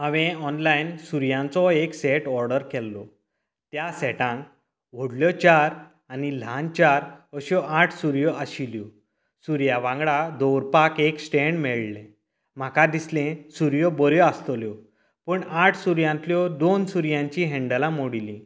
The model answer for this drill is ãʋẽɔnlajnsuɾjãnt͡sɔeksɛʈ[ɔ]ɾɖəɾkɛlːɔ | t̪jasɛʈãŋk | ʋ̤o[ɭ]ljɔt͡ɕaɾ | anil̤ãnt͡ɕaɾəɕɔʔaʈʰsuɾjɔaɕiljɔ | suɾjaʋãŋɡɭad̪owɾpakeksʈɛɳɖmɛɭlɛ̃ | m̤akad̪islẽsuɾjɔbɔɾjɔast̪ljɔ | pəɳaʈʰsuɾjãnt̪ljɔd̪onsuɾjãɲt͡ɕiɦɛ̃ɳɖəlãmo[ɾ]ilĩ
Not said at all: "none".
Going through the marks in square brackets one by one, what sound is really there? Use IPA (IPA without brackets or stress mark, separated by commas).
ɔ, ɽ, ɽ